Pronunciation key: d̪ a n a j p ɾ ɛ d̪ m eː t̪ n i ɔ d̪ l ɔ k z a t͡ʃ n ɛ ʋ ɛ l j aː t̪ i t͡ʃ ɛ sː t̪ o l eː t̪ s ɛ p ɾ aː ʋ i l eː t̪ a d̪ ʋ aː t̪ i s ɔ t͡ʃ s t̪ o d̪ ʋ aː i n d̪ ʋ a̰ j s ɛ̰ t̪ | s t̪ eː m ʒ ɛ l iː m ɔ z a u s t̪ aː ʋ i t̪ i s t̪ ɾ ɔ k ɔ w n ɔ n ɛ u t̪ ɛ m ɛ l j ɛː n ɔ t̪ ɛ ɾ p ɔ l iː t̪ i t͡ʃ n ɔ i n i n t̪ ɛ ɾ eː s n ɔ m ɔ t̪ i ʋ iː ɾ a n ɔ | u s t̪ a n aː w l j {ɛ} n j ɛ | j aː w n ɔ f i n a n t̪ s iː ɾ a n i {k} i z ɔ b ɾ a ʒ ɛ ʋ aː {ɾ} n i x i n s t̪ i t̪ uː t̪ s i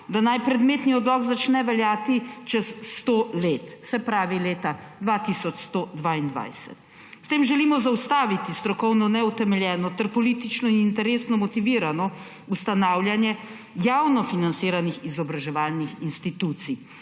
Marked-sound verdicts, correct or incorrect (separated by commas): incorrect, incorrect, incorrect